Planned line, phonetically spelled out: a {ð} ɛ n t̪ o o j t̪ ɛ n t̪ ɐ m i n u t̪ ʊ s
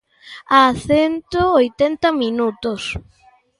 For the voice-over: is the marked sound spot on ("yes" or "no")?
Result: no